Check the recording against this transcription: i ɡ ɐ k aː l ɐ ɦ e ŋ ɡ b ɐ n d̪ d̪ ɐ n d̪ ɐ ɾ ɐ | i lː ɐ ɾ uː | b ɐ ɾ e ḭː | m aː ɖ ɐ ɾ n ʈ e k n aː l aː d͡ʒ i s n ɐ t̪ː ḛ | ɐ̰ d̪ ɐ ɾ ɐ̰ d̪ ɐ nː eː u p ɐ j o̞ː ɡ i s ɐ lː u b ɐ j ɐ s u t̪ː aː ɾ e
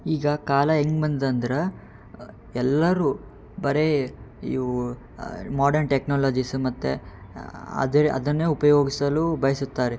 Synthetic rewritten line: iː ɡ ɐ k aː l ɐ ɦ e ŋ ɡ b ɐ n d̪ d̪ ɐ n d̪ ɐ ɾ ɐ | ɛ lː ɐ ɾ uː | b ɐ ɾ e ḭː | m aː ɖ ɐ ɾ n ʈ e k n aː l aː d͡ʒ i s m ɐ t̪ː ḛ | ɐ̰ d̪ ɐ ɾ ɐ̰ d̪ ɐ nː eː u p ɐ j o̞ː ɡ i s ɐ l u b ɐ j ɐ s u t̪ː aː ɾ e